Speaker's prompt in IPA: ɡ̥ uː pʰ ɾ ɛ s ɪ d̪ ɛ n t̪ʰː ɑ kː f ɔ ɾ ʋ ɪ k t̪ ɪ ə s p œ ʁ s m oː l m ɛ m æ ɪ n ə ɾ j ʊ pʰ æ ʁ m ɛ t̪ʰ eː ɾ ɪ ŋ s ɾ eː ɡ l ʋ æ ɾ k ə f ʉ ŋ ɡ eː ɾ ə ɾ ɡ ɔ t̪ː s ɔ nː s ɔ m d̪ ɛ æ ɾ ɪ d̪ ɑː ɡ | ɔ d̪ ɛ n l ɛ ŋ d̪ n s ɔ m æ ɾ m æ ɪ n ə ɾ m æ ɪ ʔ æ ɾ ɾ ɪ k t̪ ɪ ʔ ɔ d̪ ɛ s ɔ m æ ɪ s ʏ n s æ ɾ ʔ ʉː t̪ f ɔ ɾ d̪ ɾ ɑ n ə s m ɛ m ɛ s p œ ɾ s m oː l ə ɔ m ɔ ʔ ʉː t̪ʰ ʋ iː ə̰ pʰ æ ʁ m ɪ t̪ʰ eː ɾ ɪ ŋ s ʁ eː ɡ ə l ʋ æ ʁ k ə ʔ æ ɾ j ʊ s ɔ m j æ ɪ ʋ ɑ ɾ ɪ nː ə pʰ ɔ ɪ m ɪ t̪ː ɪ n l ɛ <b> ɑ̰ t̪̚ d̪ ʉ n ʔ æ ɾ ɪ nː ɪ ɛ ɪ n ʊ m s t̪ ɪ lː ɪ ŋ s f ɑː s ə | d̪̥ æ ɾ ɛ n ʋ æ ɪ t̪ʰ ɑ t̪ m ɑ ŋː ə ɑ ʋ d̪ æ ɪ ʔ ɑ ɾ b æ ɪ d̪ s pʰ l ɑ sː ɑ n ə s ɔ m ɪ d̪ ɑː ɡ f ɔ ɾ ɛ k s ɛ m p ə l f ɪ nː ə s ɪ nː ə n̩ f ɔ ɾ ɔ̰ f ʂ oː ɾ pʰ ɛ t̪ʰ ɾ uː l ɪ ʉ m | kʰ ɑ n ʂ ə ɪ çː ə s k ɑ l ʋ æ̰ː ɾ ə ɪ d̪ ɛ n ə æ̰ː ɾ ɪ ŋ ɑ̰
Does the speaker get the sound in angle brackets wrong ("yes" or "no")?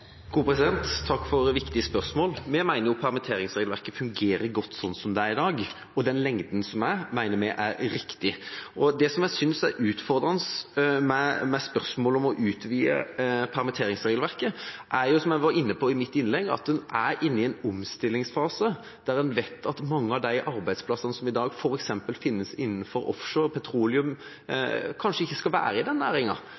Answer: yes